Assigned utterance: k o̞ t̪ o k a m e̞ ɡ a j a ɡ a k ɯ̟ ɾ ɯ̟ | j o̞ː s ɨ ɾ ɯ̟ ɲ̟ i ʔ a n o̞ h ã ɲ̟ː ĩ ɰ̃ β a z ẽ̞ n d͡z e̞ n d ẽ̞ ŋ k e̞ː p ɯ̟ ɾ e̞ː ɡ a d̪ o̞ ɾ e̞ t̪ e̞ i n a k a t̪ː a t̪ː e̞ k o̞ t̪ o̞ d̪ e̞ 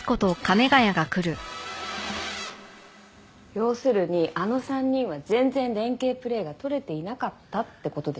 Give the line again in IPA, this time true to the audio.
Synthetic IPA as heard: k o̞ t̪ o k a m e̞ ɡ a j a ɡ a k ɯ̟ ɾ ɯ̟ | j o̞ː s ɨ ɾ ɯ̟ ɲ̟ i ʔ a n o̞ s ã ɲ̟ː ĩ ɰ̃ β a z ẽ̞ n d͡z ẽ̞ n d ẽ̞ ŋ k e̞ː p ɯ̟ ɾ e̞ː ɡ a t̪ o̞ ɾ e̞ t̪ e̞ i n a k a t̪ː a t̪ː e̞ k o̞ t̪ o̞ d̪ e̞